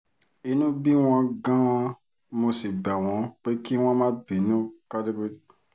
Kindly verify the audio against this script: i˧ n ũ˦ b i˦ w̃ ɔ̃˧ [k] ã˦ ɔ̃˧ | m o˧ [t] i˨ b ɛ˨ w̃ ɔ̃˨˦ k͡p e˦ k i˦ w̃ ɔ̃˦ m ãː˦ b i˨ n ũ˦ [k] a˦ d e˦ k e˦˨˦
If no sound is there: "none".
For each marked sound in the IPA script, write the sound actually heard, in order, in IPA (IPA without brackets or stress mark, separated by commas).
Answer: ɡ, s, k